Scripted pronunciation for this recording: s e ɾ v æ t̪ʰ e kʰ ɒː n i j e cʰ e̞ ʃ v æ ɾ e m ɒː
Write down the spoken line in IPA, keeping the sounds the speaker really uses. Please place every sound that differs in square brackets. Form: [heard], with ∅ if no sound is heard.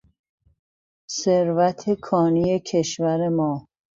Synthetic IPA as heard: s e ɾ v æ t̪ʰ e kʰ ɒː n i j e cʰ e̞ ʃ v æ ɾ e m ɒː